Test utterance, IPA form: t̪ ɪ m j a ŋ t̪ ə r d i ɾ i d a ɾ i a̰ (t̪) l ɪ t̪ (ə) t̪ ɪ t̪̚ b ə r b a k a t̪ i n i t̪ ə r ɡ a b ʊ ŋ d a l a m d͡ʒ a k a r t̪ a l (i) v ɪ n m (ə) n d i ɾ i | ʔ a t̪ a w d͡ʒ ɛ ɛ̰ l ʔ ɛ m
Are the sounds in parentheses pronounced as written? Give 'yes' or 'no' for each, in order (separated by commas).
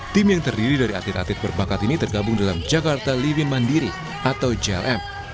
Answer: yes, no, yes, no